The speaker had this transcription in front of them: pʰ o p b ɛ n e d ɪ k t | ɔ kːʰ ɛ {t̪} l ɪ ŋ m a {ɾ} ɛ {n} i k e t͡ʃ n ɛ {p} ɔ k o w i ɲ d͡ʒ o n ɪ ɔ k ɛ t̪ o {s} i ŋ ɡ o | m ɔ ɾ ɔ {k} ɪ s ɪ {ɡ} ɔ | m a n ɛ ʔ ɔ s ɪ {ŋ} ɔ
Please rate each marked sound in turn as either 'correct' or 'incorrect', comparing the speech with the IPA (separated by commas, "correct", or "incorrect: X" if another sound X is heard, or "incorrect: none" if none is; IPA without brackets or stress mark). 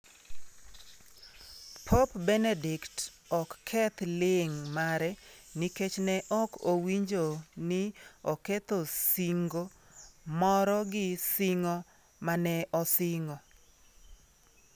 correct, correct, correct, incorrect: ʔ, correct, incorrect: ɡ, incorrect: ŋ, correct